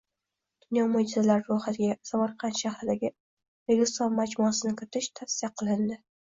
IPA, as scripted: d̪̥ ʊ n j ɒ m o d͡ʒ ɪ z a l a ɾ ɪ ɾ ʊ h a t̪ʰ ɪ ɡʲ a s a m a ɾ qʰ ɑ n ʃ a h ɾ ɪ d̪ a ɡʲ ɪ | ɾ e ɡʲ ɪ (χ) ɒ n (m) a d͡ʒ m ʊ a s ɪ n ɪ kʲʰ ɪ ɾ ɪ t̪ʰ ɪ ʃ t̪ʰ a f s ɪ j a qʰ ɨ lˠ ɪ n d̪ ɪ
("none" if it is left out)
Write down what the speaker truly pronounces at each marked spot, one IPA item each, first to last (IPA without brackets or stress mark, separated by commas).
s, m